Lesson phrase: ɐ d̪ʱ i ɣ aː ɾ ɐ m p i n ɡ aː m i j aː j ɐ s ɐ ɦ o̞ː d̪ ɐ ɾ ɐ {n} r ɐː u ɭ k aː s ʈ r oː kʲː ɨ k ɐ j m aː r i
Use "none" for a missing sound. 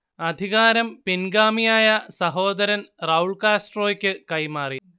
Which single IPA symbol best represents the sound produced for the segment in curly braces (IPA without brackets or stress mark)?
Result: n